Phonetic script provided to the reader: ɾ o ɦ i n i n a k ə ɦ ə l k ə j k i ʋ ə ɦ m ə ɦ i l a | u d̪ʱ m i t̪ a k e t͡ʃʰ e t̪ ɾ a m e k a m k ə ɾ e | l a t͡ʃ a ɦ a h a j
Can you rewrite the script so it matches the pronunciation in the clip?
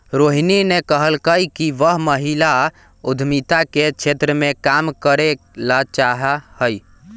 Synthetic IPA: ɾ o ɦ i n i n e k ə ɦ ə l k ə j k i ʋ ə ɦ m ə ɦ i l a | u d̪ʱ m i t̪ a k e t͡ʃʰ e t̪ ɾ ə m e k a m k ə ɾ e | l a t͡ʃ a ɦ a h ə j

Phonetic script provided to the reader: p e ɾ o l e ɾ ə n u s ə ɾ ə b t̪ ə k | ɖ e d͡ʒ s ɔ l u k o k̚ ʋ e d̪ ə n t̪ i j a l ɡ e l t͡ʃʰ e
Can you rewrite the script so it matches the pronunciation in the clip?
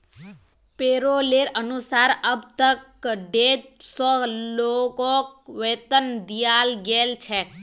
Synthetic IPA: p e ɾ o l e ɾ ə n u s a ɾ ə b t̪ ə k | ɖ e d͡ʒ s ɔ l o k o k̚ ʋ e t̪ ə n d̪ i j a l ɡ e l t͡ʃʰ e

